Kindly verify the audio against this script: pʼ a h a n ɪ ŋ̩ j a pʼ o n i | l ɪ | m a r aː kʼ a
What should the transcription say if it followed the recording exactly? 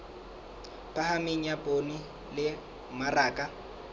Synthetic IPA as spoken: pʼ a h a m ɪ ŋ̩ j a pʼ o n i | l ɪ | m a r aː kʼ a